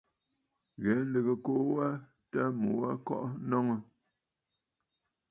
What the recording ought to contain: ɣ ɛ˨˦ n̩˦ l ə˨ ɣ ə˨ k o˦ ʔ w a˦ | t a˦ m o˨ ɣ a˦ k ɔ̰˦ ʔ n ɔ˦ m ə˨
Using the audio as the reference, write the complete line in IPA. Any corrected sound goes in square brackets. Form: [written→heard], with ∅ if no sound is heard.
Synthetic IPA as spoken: ɣ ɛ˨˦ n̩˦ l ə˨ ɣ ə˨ k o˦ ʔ w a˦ | t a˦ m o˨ [ɣ→w] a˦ k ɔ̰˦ ʔ n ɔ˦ [m→ŋ] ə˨